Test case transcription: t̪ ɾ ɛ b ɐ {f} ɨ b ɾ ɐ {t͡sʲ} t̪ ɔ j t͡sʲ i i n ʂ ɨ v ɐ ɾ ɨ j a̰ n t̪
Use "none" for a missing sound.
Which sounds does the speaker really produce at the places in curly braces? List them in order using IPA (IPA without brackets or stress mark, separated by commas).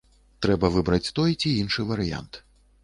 v, t͡sʲ